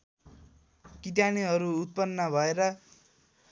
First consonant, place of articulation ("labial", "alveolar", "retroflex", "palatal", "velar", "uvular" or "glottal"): velar